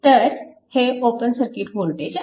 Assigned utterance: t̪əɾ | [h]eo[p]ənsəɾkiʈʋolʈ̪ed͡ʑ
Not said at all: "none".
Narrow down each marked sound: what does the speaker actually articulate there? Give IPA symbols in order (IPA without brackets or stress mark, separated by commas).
h, p